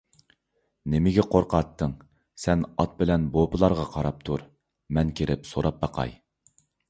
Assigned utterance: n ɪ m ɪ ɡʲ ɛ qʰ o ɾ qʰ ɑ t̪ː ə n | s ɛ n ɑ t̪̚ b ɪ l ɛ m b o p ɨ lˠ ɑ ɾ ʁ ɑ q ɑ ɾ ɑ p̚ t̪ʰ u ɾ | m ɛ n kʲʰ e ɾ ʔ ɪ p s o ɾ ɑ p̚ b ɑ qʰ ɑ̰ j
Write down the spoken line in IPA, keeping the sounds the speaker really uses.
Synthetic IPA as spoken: n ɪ m ɪ ɡʲ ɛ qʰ o ɾ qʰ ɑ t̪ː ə ŋ | s ɛ n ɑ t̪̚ b ɪ l ɛ n b o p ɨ lˠ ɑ ɾ ʁ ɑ qʰ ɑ ɾ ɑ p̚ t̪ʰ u ɾ | m ɛ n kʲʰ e ɾ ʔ ɪ p s o ɾ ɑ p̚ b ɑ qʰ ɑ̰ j